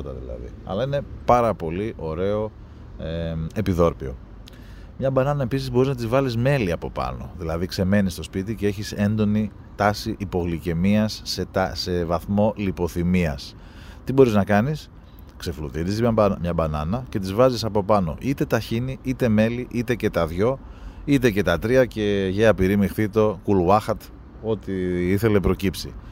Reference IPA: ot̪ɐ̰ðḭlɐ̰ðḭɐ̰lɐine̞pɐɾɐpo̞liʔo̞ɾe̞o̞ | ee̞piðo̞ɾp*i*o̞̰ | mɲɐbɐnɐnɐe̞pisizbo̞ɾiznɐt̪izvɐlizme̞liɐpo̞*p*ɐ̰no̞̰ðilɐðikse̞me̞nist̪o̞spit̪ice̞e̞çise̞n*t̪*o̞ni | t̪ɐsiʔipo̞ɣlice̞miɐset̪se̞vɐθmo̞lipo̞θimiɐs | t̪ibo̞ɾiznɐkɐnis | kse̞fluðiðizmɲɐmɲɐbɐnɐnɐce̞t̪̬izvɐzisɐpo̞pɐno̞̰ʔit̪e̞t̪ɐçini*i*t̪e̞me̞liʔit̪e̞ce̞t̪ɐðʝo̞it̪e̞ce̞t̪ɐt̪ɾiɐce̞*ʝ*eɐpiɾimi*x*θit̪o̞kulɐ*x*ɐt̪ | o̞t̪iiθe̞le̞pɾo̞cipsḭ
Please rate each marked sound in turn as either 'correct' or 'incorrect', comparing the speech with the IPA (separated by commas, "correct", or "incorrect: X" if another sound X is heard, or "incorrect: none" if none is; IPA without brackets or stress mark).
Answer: correct, correct, incorrect: d̪, correct, correct, correct, correct